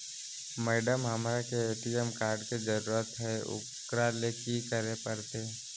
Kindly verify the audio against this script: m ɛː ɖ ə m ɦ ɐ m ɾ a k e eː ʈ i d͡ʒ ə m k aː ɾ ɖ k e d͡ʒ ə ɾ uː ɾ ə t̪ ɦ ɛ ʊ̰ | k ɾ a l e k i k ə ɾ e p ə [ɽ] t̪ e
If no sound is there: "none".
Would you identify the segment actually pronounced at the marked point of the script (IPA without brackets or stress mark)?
ɾ